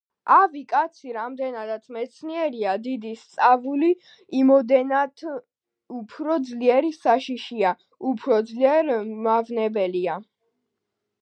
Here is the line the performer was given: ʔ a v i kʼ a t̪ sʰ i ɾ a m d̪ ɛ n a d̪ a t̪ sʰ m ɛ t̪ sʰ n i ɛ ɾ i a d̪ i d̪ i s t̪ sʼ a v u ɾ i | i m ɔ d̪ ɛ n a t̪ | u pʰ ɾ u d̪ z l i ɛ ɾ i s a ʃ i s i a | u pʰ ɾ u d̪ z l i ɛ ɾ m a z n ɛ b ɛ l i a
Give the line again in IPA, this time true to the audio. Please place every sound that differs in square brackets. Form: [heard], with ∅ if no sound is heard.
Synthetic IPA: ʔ a v i kʼ a t̪ sʰ i ɾ a m d̪ ɛ n a d̪ a t̪ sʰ m ɛ t̪ sʰ n i ɛ ɾ i a d̪ i d̪ i s t̪ sʼ a v u [l] i | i m ɔ d̪ ɛ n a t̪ | u pʰ ɾ [ɔ] d̪ z l i ɛ ɾ i s a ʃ i [ʃ] i a | u pʰ ɾ [ɔ] d̪ z l i ɛ ɾ m a [v] n ɛ b ɛ l i a

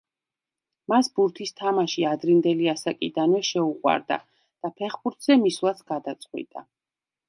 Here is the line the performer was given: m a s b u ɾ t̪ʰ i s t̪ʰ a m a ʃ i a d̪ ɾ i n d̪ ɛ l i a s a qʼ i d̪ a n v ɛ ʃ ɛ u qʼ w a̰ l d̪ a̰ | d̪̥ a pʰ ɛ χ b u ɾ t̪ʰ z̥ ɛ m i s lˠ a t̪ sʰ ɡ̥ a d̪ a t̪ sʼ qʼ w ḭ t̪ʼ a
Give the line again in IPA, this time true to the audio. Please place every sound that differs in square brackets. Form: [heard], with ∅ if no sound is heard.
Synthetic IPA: m a s b u ɾ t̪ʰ i s t̪ʰ a m a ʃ i a d̪ ɾ i n d̪ ɛ l i a s a [kʼ] i d̪ a n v ɛ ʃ ɛ u qʼ w a̰ [ɾ] d̪ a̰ | d̪̥ a pʰ ɛ χ b u ɾ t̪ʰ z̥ ɛ m i s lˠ a t̪ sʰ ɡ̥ a d̪ a t̪ sʼ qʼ w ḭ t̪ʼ a

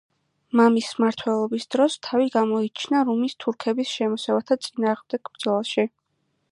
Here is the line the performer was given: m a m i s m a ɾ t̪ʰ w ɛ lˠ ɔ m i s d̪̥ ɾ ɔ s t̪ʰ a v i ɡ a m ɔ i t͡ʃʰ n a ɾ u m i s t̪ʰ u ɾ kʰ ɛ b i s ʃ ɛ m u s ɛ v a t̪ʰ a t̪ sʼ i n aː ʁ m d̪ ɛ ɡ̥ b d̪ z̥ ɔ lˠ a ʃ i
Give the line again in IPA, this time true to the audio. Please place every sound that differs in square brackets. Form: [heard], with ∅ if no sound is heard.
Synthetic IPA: m a m i s m a ɾ t̪ʰ w ɛ lˠ ɔ [b] i s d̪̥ ɾ ɔ s t̪ʰ a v i ɡ a m ɔ i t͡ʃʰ n a ɾ u m i s t̪ʰ u ɾ kʰ ɛ b i s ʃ ɛ m [ɔ] s ɛ v a t̪ʰ a t̪ sʼ i n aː ʁ m d̪ ɛ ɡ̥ b d̪ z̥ ɔ lˠ a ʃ i

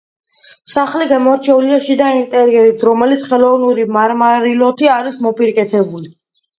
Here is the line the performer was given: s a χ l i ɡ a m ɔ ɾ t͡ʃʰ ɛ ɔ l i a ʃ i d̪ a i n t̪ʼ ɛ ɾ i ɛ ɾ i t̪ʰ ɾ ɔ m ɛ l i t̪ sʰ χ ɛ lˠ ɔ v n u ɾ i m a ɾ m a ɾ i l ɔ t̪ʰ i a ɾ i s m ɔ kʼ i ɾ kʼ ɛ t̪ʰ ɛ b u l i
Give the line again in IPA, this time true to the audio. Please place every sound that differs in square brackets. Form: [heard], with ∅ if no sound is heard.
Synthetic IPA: s a χ l i ɡ a m ɔ ɾ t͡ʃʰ ɛ [u] l i a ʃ i d̪ a i n t̪ʼ ɛ ɾ i ɛ ɾ i t̪ʰ ɾ ɔ m ɛ l i t̪ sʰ χ ɛ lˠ ɔ v n u ɾ i m a ɾ m a ɾ i l ɔ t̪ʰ i a ɾ i s m ɔ [pʼ] i ɾ kʼ ɛ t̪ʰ ɛ b u l i

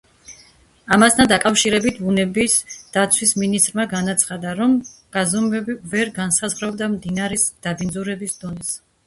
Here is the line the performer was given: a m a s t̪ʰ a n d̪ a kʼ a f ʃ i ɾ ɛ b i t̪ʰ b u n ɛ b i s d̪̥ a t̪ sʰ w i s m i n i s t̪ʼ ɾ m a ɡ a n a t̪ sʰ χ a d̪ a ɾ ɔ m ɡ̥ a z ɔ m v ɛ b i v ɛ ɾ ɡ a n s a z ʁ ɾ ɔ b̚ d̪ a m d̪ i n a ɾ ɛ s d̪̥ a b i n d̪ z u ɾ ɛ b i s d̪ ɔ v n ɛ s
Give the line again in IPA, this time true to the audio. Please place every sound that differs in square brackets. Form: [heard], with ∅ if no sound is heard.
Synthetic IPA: a m a s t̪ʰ a n d̪ a kʼ a f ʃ i ɾ ɛ b i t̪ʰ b u n ɛ b i s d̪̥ a t̪ sʰ w i s m i n i s t̪ʼ ɾ m a ɡ a n a t̪ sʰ χ a d̪ a ɾ ɔ m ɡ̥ a z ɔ m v ɛ b i v ɛ ɾ ɡ a n s a z ʁ ɾ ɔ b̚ d̪ a m d̪ i n a ɾ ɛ s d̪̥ a b i n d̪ z u ɾ ɛ b i s d̪ ɔ [∅] n ɛ s

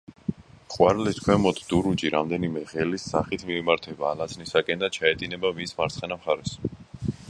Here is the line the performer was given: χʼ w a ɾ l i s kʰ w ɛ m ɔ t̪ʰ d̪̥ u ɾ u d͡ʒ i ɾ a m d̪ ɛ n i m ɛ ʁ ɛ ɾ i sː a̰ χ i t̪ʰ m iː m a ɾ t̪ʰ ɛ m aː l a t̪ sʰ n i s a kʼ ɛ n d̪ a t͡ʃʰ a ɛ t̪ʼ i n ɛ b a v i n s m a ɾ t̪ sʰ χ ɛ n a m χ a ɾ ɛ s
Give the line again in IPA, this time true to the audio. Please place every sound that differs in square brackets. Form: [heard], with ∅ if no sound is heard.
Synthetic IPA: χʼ w a ɾ l i s kʰ w ɛ m ɔ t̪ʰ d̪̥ u ɾ u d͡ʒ i ɾ a m d̪ ɛ n i m ɛ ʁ ɛ [l] i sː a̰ χ i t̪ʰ m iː m a ɾ t̪ʰ ɛ [b] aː l a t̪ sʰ n i s a kʼ ɛ n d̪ a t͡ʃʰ a ɛ t̪ʼ i n ɛ b a v i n s m a ɾ t̪ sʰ χ ɛ n a m χ a ɾ ɛ s

